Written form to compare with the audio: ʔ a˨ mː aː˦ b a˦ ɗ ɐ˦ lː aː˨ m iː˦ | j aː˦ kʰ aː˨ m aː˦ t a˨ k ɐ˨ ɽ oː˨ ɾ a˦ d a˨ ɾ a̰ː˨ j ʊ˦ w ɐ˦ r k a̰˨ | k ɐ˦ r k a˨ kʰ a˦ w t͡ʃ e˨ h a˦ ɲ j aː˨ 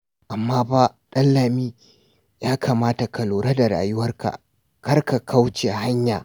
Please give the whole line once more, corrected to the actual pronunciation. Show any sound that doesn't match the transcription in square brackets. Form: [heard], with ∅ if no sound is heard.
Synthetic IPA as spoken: ʔ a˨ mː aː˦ b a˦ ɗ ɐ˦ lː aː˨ m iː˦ | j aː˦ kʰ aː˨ m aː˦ t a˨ k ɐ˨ [l] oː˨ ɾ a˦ d a˨ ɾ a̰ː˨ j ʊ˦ w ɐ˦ r k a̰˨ | k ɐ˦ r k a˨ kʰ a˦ w t͡ʃ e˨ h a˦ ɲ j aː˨